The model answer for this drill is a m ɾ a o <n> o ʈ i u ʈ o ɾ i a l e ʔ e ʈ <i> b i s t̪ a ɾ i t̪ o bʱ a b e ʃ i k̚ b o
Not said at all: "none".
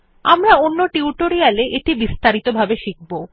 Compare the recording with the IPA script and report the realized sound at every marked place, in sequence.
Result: nː, i

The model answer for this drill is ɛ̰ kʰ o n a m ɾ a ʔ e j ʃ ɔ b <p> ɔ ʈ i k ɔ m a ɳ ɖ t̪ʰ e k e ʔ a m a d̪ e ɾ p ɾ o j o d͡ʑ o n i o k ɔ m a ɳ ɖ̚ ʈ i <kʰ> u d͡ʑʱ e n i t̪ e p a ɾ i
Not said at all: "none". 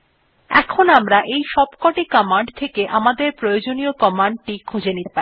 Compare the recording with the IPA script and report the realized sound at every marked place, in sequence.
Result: k, kʰ

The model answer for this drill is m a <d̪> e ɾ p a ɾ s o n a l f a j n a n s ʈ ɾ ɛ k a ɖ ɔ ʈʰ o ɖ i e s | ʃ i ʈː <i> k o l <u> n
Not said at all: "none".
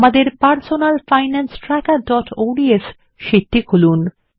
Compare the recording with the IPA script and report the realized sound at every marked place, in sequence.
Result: d̪, i, u

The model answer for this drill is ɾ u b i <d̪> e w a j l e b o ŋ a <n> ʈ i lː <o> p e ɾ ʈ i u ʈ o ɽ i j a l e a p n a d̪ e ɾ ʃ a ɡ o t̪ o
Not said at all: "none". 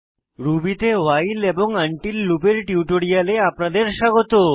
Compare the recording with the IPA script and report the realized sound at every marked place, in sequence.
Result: t̪, ɳ, u

